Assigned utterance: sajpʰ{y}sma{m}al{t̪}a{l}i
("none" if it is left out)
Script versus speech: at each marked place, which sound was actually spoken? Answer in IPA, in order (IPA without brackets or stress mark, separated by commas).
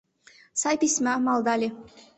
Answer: i, m, d̪, l